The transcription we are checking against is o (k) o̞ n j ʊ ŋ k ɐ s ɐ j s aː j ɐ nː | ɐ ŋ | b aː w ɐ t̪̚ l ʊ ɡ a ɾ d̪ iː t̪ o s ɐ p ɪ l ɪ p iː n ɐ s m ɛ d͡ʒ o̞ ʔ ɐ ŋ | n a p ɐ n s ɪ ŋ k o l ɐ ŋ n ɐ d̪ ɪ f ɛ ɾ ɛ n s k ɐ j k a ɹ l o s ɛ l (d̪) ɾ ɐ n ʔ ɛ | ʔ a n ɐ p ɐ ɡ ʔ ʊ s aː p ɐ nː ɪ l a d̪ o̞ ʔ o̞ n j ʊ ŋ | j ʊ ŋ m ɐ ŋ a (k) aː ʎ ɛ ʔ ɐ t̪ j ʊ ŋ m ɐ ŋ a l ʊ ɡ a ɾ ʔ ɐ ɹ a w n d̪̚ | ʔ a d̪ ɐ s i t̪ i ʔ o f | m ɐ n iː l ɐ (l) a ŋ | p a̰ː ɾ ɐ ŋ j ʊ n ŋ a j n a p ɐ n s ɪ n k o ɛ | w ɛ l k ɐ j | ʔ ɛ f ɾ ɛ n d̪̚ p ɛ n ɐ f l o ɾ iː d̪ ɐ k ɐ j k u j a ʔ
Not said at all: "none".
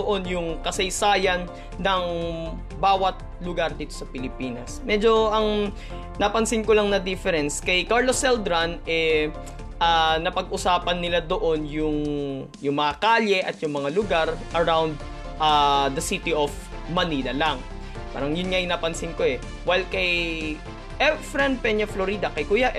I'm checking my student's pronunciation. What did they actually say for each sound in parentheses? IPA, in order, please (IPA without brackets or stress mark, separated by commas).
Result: ʔ, d̪, k, l